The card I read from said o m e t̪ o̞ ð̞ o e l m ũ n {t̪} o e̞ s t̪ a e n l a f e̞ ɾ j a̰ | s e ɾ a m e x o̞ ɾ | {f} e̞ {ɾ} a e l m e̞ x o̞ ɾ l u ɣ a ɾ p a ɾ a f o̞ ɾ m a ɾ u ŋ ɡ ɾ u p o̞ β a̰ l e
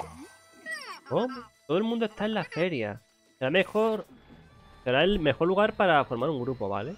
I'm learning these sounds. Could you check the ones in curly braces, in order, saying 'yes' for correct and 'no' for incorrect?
no, no, yes

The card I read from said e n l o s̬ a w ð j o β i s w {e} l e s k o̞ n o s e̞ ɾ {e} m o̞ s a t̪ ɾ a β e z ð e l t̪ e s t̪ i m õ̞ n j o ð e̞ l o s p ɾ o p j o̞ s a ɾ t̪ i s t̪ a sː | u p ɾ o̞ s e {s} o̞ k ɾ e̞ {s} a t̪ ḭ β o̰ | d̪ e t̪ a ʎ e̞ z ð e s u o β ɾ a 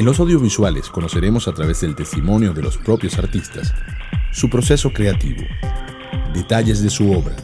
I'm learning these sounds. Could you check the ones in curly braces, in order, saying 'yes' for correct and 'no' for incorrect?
no, yes, yes, no

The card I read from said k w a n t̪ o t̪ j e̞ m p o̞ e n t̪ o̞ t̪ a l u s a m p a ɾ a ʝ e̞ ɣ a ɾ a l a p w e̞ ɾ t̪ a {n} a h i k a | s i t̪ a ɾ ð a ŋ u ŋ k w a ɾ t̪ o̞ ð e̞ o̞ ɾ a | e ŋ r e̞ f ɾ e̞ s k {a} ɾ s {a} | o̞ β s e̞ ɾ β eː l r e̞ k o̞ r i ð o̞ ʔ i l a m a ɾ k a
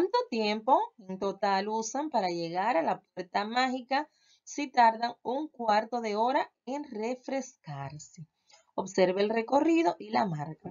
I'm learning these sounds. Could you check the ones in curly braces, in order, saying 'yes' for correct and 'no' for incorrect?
no, yes, no

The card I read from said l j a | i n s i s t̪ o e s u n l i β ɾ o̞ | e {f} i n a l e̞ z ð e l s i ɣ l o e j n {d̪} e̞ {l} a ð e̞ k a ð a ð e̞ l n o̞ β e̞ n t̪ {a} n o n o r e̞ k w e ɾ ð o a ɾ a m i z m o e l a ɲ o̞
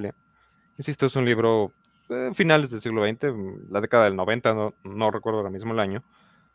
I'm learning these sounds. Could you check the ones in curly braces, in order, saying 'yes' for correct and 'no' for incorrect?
yes, no, yes, yes

